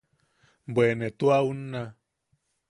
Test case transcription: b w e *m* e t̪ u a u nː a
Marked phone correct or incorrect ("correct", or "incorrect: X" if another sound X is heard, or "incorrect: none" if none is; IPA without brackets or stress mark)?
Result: incorrect: n